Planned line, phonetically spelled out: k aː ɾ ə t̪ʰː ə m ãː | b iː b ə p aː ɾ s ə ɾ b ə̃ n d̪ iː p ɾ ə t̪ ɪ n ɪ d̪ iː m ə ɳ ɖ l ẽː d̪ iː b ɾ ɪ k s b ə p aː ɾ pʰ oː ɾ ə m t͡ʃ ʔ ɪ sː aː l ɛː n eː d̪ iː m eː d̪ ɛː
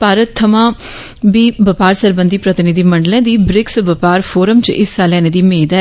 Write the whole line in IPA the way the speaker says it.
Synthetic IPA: p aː ɾ ə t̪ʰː ə m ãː | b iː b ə p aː ɾ s ə ɾ b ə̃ n d̪ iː p ɾ ə t̪ ɪ n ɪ d̪ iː m ə ɳ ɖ l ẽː d̪ iː b ɾ ɪ k s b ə p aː ɾ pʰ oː ɾ ə m t͡ʃ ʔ ɪ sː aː l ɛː n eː d̪ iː m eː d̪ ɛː

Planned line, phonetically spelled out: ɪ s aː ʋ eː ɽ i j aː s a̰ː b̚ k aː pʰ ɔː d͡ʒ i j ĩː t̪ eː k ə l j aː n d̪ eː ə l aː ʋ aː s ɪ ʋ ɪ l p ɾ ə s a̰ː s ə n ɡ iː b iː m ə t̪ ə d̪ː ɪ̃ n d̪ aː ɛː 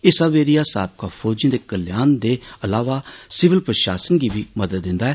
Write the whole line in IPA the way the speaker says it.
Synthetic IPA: ɪ s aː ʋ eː ɾ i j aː s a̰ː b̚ k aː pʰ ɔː d͡ʒ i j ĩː d̪ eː k ə l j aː n d̪ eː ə l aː ʋ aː s ɪ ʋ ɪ l p ɾ ə ʃ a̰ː s ə n ɡ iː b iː m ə d̪ ə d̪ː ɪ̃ n d̪ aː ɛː

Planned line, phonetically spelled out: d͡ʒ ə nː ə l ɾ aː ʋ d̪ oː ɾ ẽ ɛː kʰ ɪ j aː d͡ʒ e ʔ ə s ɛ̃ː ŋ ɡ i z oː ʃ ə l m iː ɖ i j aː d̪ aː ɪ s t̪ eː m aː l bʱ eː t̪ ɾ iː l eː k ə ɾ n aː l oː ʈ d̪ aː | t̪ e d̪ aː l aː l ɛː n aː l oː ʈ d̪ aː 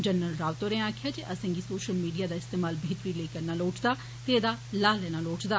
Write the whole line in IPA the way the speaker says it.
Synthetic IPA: d͡ʒ ə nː ə l ɾ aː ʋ t̪ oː ɾ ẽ aː kʰ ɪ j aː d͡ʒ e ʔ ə s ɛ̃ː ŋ ɡ i s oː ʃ ə l m iː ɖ i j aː d̪ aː ɪ s t̪ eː m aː l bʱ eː t̪ ɾ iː l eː k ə ɾ n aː l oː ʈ d̪ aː | t̪ e d̪ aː l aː l ɛː n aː l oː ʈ d̪ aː

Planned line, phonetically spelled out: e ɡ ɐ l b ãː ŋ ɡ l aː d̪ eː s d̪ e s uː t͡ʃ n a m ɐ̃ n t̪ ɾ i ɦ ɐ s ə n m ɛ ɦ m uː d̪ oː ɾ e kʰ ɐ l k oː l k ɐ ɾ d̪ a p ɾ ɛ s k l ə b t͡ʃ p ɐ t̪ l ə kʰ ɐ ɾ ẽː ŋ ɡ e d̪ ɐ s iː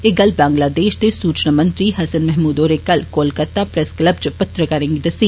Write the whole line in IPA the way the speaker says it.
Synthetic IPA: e ɡ ɐ l b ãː ŋ ɡ l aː d̪ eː ʃ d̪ e s uː t͡ʃ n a m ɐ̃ n t̪ ɾ i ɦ ɐ s ə n m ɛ ɦ m uː d̪ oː ɾ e k ɐ l k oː l k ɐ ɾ t̪ a p ɾ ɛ s k l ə b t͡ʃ p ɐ t̪ ɾ ə k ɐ ɾ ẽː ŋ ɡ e d̪ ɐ s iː

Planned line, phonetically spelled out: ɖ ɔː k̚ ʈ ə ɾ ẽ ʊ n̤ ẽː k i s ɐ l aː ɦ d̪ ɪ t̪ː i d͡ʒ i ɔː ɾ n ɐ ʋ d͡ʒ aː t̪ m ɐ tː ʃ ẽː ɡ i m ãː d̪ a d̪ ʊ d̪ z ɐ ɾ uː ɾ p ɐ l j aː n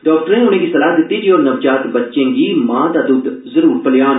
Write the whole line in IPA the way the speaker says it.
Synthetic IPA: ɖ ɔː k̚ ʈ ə ɾ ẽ ʊ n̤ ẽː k i s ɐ l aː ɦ d̪ ɪ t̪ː i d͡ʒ i ɔː ɾ n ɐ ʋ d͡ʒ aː t̪ b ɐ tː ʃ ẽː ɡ i m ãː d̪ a d̪ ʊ d̪ z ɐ ɾ uː ɾ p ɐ l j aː n

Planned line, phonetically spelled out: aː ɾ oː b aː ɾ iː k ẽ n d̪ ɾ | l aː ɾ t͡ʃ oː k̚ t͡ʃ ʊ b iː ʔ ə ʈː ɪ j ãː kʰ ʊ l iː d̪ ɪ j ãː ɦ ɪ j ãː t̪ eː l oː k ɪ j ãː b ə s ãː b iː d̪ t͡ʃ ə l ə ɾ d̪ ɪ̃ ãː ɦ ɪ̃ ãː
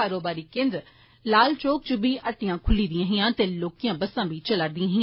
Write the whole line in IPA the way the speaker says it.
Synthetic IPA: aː ɾ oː b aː ɾ iː k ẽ n d̪ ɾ | l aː l t͡ʃ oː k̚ t͡ʃ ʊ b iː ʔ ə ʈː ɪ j ãː kʰ ʊ l iː d̪ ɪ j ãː ɦ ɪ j ãː t̪ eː l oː k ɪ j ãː b ə s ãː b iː t͡ʃ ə l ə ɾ d̪ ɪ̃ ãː ɦ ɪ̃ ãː

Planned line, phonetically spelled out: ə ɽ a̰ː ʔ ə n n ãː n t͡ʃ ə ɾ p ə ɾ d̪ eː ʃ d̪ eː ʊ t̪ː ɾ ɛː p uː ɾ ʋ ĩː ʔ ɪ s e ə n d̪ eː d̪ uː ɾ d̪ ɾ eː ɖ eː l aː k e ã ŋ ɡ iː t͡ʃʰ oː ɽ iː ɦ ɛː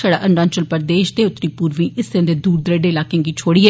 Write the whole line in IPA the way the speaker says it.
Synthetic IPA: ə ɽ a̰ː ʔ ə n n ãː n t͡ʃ ə l p ə ɾ d̪ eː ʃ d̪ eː ʊ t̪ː ɾ iː p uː ɾ ʋ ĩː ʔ ɪ s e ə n d̪ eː d̪ uː ɾ d̪ ɾ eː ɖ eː l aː k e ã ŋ ɡ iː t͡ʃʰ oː ɽ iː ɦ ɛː

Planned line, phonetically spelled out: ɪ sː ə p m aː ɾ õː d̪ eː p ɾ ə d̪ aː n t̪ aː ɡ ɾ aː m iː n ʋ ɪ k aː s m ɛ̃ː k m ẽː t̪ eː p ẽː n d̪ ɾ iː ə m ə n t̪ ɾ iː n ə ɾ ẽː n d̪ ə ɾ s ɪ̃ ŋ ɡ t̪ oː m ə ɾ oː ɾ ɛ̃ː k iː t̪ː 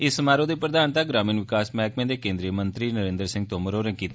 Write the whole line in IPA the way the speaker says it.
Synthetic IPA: ɪ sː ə m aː ɾ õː d̪ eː p ɾ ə d̪ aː n t̪ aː ɡ ɾ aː m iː n ʋ ɪ k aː s m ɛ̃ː k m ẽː d̪ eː k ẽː n d̪ ɾ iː ə m ə n t̪ ɾ iː n ə ɾ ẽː n d̪ ə ɾ s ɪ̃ ŋ ɡ t̪ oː m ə ɾ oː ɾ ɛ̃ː k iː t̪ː

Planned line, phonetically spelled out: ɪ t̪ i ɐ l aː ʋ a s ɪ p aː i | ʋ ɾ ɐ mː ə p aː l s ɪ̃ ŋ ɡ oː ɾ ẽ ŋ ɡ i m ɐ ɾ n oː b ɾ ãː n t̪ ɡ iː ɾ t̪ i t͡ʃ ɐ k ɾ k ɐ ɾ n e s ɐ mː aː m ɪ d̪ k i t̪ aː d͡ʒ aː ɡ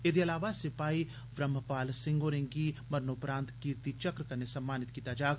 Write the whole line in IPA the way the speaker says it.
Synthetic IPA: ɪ d̪ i ɐ l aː ʋ a s ɪ p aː i | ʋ ɾ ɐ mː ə p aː l s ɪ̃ ŋ ɡ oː ɾ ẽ ŋ ɡ i m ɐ ɾ n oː p ɾ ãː n t̪ k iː ɾ t̪ i t͡ʃ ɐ k ɾ k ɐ ɾ n e s ɐ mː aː n ɪ t̪ k i t̪ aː d͡ʒ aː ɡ

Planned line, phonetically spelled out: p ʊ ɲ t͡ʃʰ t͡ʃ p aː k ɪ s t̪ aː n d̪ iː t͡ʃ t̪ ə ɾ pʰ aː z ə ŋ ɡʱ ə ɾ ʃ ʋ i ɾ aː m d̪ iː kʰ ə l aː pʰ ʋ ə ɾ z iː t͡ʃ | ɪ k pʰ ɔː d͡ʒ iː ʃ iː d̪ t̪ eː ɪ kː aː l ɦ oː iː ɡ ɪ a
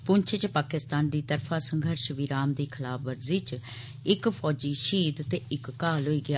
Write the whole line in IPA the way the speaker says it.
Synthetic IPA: p ʊ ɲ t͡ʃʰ t͡ʃ p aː k ɪ s t̪ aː n d̪ iː t̪ ə ɾ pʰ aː s ə ŋ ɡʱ ə ɾ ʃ ʋ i ɾ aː m d̪ iː kʰ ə l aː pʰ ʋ ə ɾ z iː t͡ʃ | ɪ k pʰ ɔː d͡ʒ iː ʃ iː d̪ t̪ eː ɪ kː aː l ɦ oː iː ɡ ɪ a

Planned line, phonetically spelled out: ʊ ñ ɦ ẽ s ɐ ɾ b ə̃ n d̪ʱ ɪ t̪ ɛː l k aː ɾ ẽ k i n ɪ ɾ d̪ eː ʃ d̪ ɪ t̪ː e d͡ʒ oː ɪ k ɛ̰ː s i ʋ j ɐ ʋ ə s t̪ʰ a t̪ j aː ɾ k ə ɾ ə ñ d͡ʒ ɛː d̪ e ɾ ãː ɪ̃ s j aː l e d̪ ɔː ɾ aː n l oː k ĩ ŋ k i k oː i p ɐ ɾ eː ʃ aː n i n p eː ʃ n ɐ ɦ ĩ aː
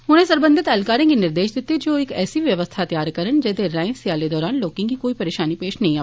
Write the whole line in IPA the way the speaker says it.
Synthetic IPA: ʊ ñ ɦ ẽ s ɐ ɾ b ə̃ n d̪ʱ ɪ t̪ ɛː l k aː ɾ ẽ k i n ɪ ɾ d̪ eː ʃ d̪ ɪ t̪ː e d͡ʒ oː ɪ k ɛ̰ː s i ʋ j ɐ ʋ ə s t̪ʰ a t̪ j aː ɾ k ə ɾ ə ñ d͡ʒ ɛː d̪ e ɾ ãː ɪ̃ s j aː l e d̪ ɔː ɾ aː n l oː k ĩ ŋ k i k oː i p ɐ ɾ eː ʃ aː n i p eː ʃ n ɐ ɦ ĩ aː

